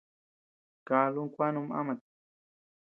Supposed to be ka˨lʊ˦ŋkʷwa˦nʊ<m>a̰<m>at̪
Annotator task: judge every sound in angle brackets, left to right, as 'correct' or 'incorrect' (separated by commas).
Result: correct, correct